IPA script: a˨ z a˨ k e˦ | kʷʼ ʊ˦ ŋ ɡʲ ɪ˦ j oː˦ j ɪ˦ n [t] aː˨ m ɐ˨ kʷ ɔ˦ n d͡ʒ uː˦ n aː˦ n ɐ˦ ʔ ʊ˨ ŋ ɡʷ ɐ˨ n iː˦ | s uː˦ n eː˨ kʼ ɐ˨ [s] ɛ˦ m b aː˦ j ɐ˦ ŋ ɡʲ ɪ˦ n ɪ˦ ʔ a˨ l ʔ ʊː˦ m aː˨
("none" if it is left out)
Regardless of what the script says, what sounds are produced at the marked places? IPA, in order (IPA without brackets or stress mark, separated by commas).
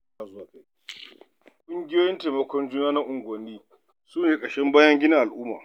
t, ʃ